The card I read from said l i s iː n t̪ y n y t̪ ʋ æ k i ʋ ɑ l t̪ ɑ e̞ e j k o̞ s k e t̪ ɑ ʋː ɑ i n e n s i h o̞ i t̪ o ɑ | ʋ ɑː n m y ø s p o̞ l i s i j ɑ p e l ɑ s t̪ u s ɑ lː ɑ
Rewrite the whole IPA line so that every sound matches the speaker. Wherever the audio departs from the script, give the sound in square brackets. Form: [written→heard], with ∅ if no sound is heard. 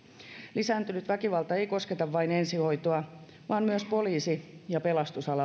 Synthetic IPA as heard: l i s [iː→æː] n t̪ y n y t̪ ʋ æ k i ʋ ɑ l t̪ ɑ e̞ [e→i] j k o̞ s k e t̪ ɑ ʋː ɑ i n e n s i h o̞ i t̪ o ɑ | ʋ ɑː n m y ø s p o̞ l [i→iː] s i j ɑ p e l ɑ s t̪ u s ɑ [lː→l] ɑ

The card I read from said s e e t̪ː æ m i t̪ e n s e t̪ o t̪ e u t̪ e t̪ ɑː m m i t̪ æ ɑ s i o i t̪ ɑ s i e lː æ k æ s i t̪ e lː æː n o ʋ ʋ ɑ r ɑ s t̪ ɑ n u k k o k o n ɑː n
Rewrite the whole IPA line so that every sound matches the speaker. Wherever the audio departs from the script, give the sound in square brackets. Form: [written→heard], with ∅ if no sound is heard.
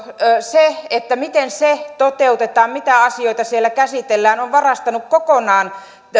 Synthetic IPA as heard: s e e t̪ː æ m i t̪ e n s e t̪ o t̪ e u t̪ e t̪ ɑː m m i t̪ æ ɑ s i o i t̪ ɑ s i e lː æ k æ s i t̪ e lː æː n o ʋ ʋ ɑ r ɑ s t̪ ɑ n u k k o k o n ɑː n

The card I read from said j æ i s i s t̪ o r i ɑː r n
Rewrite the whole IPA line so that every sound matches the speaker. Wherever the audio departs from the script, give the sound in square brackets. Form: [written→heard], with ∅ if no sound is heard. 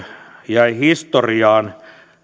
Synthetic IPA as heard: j æ i [s→h] i s t̪ o r i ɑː [r→∅] n

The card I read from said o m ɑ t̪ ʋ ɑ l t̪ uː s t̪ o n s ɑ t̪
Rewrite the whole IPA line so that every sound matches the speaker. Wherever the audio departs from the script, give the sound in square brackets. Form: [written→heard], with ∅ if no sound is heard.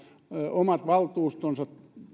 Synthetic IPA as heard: o m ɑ t̪ ʋ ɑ l t̪ uː s t̪ o n s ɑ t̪

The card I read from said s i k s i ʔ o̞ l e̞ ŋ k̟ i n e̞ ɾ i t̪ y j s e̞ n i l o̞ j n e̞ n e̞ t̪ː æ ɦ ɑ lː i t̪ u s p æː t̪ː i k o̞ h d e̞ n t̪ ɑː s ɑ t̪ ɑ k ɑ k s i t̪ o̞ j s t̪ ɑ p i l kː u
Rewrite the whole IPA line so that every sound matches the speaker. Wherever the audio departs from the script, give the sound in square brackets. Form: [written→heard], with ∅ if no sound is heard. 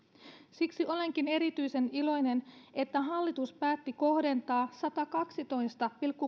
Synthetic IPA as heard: s i k s i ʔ o̞ l e̞ ŋ k̟ i n e̞ ɾ i t̪ y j s e̞ n i l o̞ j n e̞ n e̞ t̪ː æ ɦ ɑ lː i t̪ u s p æː t̪ː i k o̞ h d e̞ n t̪ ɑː s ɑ t̪ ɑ k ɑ k s i t̪ o̞ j s t̪ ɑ p i l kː u

